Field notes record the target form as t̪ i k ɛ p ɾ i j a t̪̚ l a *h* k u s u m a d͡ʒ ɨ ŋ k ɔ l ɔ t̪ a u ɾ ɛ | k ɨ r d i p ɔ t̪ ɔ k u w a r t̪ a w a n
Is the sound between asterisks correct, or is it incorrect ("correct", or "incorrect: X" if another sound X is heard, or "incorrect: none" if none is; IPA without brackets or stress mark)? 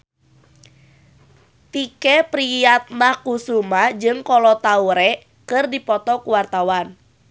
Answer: correct